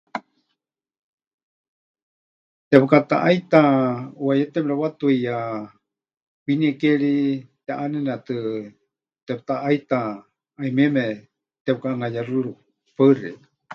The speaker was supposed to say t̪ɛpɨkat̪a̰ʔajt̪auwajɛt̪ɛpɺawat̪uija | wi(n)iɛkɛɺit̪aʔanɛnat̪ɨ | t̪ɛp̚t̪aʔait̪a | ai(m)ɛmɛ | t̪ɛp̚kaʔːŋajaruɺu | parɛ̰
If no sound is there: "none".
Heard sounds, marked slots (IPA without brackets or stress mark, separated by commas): n, m